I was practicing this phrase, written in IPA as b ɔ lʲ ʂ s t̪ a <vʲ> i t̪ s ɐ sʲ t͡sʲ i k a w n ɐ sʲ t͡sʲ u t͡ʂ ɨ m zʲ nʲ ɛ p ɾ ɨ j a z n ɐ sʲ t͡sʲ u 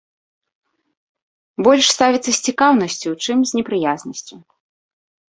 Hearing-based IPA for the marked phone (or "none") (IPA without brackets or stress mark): vʲ